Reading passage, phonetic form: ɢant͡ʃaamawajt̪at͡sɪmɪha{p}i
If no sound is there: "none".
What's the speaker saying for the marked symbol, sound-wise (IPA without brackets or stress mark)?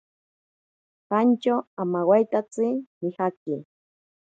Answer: k